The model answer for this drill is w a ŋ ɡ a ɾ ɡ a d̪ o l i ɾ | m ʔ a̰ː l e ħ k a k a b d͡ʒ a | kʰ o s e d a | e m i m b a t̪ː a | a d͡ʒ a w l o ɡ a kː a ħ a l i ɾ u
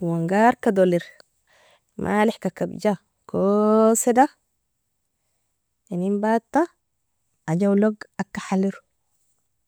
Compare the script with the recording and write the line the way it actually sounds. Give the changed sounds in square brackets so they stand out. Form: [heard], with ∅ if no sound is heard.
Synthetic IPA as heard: w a ŋ ɡ a ɾ [k] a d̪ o l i ɾ | m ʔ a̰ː l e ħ k a k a b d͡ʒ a | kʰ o s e d a | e [n] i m b a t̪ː a | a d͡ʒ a w l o ɡ a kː a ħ a l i ɾ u